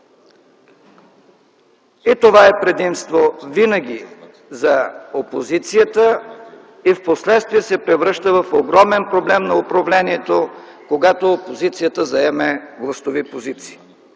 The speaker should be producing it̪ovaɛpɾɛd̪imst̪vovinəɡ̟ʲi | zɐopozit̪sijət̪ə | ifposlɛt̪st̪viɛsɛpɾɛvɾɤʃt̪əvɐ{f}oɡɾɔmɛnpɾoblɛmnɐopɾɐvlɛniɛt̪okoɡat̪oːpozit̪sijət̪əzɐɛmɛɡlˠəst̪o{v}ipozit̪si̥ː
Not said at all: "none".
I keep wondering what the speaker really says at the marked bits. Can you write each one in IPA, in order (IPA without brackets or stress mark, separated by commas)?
f, v